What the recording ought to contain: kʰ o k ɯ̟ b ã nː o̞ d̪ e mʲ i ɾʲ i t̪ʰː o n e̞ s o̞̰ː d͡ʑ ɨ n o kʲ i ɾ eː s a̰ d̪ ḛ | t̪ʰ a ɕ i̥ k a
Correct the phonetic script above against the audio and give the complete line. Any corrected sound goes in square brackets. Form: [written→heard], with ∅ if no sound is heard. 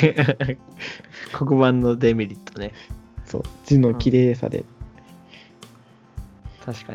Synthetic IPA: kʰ o k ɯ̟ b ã nː o̞ d̪ e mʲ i ɾʲ i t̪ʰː o n e̞ s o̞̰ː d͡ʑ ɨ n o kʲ i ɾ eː s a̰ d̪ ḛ | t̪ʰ a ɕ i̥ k a